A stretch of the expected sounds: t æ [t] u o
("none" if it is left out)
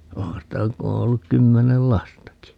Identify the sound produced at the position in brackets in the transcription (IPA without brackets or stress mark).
k